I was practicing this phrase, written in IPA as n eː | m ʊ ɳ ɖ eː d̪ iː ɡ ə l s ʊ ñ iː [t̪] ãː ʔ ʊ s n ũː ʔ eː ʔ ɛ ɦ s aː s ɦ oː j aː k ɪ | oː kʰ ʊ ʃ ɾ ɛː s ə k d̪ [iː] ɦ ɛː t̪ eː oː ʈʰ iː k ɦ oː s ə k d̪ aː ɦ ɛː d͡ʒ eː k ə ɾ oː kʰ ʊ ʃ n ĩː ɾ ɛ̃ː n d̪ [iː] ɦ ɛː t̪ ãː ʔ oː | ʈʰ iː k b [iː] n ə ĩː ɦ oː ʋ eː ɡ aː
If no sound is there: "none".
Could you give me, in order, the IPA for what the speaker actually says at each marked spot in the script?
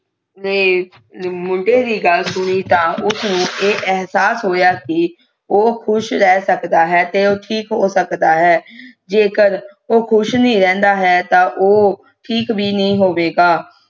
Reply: t̪, aː, aː, iː

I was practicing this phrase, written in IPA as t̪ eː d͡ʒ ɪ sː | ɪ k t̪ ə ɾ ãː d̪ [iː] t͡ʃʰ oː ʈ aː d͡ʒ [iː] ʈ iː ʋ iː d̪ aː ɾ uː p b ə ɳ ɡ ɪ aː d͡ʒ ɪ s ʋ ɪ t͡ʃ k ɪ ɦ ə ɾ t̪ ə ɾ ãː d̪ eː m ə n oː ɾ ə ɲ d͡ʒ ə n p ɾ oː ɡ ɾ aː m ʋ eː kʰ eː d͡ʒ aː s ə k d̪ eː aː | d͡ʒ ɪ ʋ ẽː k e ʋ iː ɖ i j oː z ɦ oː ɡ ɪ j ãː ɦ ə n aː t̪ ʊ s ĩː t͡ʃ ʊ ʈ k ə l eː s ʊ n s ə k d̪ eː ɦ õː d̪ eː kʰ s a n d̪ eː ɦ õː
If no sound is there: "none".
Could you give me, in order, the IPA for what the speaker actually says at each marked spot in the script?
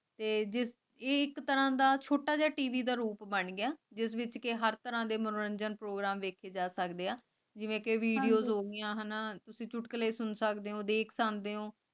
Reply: aː, aː

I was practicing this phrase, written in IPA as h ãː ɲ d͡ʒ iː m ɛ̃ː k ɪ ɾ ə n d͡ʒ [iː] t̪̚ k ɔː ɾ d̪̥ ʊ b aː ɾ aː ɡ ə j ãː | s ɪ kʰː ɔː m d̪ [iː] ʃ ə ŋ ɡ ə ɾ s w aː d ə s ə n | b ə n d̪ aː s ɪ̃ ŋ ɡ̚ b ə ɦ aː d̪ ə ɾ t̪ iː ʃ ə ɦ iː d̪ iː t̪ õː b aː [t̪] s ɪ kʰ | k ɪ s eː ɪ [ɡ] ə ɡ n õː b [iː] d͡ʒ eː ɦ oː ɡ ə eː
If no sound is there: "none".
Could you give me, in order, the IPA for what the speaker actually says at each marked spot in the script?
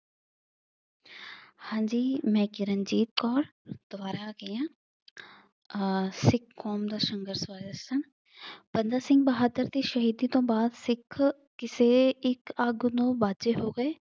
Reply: iː, aː, d̪, k, aː

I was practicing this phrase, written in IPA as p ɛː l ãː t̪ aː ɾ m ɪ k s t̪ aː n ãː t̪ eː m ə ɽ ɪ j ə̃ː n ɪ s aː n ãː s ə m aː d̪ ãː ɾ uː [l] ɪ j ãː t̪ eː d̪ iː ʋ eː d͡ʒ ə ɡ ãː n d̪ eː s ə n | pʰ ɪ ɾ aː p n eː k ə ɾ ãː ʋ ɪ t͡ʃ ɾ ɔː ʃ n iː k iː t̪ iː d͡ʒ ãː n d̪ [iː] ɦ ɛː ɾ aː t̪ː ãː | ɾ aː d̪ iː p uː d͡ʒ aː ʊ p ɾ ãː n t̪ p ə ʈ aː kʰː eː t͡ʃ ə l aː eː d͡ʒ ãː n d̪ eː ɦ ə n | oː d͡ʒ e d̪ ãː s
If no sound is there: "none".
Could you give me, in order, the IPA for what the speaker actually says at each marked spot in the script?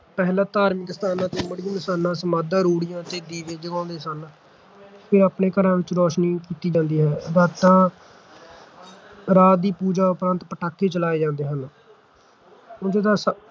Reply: ɽ, iː

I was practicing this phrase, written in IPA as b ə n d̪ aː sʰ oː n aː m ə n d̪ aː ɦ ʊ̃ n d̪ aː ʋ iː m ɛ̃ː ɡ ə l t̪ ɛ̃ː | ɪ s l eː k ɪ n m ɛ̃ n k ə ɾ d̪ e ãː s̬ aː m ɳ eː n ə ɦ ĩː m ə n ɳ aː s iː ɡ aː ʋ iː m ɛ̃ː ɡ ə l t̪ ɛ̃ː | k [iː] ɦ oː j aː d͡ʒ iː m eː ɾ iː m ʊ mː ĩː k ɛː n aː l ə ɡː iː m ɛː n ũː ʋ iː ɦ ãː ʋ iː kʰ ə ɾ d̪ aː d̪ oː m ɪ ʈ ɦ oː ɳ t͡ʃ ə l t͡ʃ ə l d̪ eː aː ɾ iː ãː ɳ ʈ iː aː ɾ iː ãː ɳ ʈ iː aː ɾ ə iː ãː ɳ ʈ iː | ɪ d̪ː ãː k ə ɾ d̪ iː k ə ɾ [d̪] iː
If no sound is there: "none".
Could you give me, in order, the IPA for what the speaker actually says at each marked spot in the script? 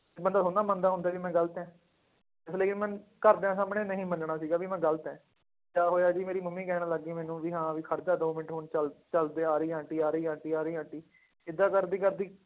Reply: aː, d̪

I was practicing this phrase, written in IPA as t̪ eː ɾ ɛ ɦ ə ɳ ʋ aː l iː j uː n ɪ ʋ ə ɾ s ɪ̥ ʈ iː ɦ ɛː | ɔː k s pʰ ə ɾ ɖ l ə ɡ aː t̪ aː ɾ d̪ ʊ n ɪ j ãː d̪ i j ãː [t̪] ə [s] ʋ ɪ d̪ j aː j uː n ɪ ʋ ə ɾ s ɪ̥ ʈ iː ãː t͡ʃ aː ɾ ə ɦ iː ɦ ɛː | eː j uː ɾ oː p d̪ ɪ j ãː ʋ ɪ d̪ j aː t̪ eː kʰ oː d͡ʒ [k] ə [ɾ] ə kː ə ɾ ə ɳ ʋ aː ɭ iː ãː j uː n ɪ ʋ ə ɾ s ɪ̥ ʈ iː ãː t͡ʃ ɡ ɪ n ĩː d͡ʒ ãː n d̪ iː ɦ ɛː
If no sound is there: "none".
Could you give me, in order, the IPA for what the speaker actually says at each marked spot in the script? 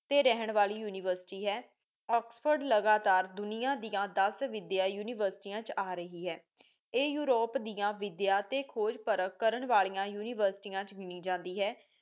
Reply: d̪, s, p, ɾ

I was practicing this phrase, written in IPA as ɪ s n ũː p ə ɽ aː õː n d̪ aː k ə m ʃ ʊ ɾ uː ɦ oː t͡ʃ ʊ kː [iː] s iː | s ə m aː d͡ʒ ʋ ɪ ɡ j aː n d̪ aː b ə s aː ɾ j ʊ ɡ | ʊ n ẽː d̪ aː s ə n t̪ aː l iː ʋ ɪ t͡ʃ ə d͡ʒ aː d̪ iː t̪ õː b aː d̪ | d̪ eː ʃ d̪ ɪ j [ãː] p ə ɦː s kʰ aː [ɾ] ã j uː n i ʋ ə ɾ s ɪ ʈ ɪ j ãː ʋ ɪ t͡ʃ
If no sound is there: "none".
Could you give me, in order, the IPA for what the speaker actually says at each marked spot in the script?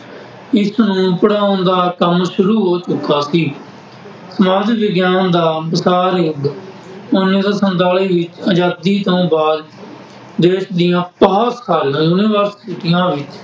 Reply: aː, ãː, l

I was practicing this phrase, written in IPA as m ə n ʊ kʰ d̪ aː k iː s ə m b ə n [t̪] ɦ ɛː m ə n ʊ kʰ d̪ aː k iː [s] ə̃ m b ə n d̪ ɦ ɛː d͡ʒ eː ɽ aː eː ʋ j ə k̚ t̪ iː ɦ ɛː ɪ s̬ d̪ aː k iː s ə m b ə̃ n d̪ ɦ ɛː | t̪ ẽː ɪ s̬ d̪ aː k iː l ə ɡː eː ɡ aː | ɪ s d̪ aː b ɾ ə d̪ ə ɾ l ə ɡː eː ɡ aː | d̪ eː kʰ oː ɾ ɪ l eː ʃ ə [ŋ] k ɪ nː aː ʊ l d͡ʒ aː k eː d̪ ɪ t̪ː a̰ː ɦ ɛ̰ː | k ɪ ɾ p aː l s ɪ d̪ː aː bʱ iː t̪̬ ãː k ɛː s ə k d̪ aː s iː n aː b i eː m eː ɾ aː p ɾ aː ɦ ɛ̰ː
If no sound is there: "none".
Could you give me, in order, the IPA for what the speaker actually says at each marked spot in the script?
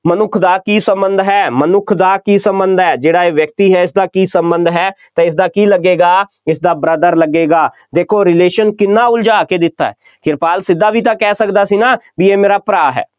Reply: d̪, s, n

